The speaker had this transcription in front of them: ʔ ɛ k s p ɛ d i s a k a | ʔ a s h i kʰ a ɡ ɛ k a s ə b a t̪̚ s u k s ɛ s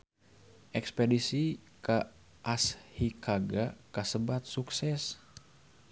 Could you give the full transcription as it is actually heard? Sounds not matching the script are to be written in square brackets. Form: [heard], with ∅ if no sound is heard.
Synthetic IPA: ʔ ɛ k s p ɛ d i s [i] k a | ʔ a s h i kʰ a ɡ [a] k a s ə b a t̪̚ s u k s ɛ s

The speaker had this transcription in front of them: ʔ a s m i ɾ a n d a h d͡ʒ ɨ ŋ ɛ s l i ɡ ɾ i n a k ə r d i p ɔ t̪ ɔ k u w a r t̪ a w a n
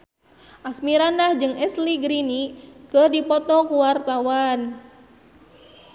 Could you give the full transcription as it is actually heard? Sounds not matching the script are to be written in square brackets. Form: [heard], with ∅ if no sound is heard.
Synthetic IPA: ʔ a s m i ɾ a n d a h d͡ʒ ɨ ŋ ɛ s l i ɡ ɾ i n [i] k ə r d i p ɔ t̪ ɔ k u w a r t̪ a w a n

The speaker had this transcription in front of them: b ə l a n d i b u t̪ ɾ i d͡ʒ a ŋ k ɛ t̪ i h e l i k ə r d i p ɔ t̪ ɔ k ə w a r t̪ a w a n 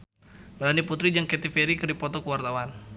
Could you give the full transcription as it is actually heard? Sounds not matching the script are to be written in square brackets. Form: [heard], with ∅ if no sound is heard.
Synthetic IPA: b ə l a n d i [p] u t̪ ɾ i d͡ʒ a ŋ k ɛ t̪ i [f] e [ɾ] i k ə r d i p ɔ t̪ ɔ k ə w a r t̪ a w a n

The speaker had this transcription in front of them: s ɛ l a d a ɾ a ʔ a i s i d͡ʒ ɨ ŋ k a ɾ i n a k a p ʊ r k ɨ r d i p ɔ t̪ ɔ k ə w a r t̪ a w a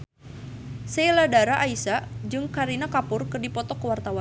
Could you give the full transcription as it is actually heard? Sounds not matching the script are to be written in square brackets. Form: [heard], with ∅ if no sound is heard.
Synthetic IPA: s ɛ l a d a ɾ a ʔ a i s [a] d͡ʒ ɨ ŋ k a ɾ i n a k a p ʊ r k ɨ r d i p ɔ t̪ ɔ k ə w a r t̪ a w a

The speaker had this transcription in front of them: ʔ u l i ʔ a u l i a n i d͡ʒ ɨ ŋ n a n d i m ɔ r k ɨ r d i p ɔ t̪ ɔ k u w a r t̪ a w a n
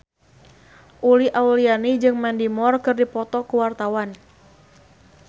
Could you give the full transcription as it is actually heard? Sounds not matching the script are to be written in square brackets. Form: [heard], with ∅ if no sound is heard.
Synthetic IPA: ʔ u l i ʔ a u l i a n i d͡ʒ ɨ ŋ [m] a n d i m ɔ r k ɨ r d i p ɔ t̪ ɔ k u w a r t̪ a w a n

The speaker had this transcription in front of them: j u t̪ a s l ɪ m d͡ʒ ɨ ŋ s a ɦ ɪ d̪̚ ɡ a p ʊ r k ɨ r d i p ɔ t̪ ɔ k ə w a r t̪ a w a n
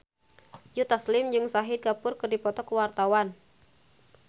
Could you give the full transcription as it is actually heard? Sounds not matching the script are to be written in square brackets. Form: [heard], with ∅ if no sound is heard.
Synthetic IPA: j u t̪ a s l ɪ m d͡ʒ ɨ ŋ s a ɦ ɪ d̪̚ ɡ a p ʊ r k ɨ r d i p ɔ t̪ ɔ k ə w a r t̪ a w a n

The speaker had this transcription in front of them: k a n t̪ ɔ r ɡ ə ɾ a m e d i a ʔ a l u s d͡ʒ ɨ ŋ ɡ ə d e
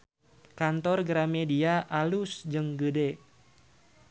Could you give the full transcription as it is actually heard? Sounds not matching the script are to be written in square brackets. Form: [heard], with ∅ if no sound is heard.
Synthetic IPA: k a n t̪ ɔ r ɡ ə ɾ a m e d i a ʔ a l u s d͡ʒ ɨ ŋ ɡ ə d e

